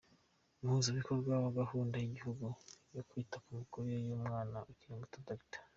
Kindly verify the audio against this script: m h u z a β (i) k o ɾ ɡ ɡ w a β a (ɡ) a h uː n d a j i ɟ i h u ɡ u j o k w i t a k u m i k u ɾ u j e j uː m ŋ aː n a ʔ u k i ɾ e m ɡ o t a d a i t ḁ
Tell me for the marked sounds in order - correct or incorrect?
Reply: correct, correct

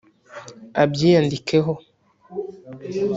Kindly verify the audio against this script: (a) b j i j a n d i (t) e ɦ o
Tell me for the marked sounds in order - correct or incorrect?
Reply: correct, incorrect: k

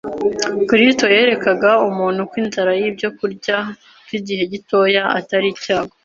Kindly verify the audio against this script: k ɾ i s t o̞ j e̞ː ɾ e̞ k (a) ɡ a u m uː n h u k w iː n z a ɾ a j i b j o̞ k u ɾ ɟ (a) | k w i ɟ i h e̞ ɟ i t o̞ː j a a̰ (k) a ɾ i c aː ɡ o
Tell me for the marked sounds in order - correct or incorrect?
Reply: correct, correct, incorrect: t

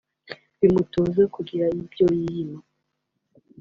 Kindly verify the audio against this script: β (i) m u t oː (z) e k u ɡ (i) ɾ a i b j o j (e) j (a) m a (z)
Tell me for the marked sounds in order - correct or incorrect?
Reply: correct, correct, correct, incorrect: i, incorrect: i, incorrect: none

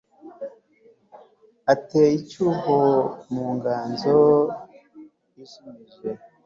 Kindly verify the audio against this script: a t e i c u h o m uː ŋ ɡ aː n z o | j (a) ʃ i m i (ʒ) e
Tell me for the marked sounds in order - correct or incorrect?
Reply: incorrect: i, correct

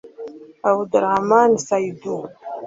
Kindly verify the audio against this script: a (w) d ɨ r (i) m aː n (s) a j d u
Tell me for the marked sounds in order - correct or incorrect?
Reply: correct, incorrect: a, correct

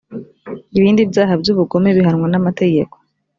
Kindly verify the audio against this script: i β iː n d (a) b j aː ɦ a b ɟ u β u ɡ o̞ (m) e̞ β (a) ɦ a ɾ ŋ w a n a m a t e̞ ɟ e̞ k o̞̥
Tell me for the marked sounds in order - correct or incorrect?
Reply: incorrect: i, correct, incorrect: i

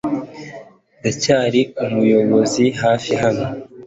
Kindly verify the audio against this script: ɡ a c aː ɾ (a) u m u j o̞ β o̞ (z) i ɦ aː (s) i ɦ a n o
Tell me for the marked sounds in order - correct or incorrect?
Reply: incorrect: i, correct, incorrect: f

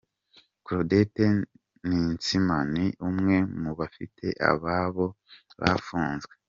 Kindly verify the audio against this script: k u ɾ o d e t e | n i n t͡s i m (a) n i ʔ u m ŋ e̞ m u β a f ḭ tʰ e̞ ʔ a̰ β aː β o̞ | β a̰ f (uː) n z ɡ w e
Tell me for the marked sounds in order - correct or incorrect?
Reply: correct, correct

